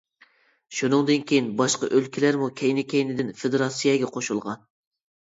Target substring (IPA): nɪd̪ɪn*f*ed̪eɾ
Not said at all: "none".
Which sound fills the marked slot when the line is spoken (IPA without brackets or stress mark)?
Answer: f